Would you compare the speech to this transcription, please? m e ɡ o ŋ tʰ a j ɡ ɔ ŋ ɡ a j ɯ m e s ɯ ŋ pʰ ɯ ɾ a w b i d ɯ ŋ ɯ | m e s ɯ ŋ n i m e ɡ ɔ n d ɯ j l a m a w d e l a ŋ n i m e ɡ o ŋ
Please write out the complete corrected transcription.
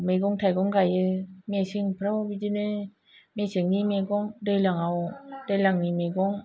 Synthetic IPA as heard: m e ɡ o ŋ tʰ a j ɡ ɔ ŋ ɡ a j ɯ m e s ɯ ŋ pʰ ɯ ɾ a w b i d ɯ n ɯ | m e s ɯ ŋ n i m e ɡ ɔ ŋ d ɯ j l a ŋ a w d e l a ŋ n i m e ɡ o ŋ